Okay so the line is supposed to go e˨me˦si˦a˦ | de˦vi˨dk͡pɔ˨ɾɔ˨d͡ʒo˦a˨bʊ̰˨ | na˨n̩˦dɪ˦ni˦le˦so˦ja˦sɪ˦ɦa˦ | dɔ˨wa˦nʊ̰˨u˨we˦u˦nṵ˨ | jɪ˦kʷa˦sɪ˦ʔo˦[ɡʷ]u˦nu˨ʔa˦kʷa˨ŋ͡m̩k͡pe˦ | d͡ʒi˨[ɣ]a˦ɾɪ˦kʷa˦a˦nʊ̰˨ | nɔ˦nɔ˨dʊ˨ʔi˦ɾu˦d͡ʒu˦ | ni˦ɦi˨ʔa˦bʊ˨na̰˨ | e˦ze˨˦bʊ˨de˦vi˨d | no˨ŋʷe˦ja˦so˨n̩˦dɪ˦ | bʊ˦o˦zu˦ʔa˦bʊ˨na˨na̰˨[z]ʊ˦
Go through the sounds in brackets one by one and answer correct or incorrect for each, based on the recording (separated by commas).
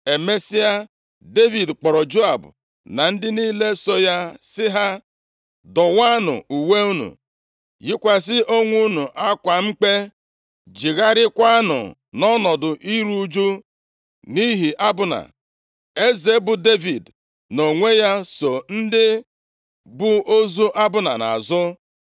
incorrect, correct, correct